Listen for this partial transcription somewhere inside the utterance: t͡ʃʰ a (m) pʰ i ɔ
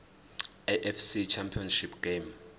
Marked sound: correct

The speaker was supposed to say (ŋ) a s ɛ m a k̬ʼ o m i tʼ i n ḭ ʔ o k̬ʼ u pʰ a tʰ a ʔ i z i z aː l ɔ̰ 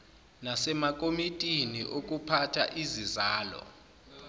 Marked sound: incorrect: n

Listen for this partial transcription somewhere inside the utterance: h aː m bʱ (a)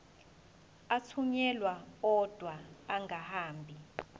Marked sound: incorrect: i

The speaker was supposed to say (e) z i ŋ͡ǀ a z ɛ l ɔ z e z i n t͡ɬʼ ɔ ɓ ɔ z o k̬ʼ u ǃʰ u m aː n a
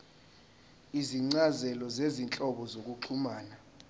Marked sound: incorrect: i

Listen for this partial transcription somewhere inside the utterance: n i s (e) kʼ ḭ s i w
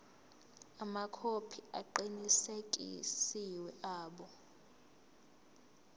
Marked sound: correct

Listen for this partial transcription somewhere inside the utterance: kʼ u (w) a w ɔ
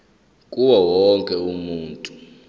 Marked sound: correct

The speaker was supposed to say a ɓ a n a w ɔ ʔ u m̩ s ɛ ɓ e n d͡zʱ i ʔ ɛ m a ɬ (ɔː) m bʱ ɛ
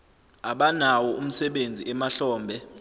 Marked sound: correct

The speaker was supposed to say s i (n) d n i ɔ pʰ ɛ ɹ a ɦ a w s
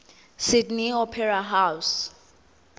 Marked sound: incorrect: none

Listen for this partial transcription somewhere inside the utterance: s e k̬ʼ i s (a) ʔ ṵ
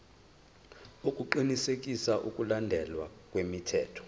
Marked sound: correct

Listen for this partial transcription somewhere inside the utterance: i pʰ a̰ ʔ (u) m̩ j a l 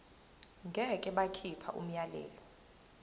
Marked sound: correct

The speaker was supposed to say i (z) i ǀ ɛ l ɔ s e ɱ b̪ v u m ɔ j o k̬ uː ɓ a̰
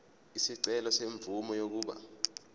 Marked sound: incorrect: s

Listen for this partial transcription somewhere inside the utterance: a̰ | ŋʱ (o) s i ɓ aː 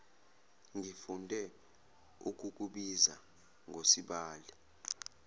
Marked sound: correct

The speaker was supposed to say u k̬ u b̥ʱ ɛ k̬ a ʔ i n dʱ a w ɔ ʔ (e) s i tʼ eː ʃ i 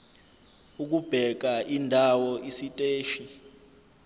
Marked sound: incorrect: i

